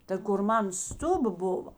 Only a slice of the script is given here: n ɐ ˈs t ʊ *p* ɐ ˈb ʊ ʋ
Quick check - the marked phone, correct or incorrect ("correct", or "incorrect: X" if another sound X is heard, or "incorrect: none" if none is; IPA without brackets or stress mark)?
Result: incorrect: b